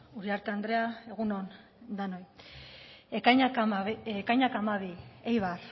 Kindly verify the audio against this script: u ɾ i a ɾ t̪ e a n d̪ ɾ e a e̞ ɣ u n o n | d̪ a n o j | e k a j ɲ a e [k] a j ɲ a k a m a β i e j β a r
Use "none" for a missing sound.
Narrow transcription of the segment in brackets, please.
k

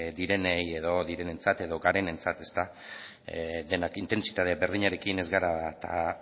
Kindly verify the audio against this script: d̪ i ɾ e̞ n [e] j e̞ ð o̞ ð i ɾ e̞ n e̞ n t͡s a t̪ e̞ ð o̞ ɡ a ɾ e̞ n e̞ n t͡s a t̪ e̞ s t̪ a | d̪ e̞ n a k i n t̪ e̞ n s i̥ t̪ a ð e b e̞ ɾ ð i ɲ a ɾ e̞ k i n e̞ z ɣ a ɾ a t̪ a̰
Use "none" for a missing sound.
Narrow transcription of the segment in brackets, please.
e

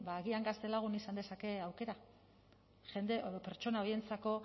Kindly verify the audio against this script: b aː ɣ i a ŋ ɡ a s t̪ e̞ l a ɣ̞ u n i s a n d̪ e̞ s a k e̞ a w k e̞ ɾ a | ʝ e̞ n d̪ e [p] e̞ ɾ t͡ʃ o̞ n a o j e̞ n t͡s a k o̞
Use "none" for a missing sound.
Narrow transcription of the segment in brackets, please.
p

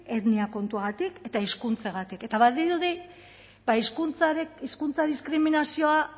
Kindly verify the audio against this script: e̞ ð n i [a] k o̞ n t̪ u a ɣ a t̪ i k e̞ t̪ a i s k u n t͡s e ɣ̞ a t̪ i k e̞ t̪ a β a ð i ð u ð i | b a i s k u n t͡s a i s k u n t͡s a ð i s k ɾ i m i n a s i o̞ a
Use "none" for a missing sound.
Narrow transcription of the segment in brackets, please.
a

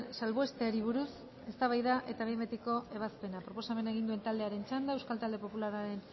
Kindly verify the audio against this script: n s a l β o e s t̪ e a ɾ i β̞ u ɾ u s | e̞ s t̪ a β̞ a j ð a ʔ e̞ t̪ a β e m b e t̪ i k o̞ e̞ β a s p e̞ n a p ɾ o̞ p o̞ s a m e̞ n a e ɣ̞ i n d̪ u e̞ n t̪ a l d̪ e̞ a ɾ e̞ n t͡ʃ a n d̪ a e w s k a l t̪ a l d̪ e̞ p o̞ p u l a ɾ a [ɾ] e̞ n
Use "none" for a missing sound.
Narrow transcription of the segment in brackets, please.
ɾ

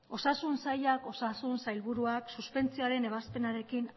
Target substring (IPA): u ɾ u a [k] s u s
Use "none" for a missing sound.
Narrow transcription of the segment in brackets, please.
k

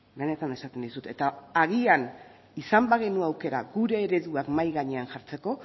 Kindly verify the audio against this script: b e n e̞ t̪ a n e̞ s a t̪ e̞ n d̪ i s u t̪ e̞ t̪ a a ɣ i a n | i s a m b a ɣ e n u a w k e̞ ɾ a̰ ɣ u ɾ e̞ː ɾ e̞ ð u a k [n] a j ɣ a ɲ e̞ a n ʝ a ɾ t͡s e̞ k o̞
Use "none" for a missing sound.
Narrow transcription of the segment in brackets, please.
m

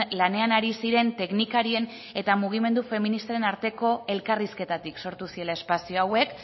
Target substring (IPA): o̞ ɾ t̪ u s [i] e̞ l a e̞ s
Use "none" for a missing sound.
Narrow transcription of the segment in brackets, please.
i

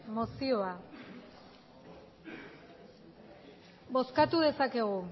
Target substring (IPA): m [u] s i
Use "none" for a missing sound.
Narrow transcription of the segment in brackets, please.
o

